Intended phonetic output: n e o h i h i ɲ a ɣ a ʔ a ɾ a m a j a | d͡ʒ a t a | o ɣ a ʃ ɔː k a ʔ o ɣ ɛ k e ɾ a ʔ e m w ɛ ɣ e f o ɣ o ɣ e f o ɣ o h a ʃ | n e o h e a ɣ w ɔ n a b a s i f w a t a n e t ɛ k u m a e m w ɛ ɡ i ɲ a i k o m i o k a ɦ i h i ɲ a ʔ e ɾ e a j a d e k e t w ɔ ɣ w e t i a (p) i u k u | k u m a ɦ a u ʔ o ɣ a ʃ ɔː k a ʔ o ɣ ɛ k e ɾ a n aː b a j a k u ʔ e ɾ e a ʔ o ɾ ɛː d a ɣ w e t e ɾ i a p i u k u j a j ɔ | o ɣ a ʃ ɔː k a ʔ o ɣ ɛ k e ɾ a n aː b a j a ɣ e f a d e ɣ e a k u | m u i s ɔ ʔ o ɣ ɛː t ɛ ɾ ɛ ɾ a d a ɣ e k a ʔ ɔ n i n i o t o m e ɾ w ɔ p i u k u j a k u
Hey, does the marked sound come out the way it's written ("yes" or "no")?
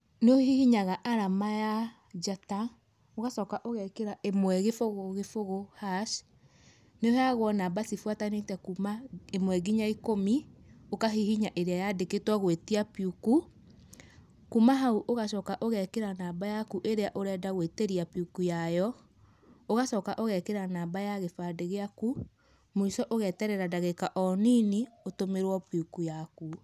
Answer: yes